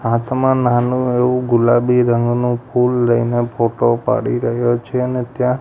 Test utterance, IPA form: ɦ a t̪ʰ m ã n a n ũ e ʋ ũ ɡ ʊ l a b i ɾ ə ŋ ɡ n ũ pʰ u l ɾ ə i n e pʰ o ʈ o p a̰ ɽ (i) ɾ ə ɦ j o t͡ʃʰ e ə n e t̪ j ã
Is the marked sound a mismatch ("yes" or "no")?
no